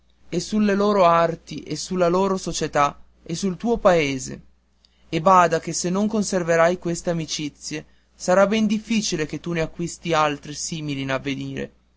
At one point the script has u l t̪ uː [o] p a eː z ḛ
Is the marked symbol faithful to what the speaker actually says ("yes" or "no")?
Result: yes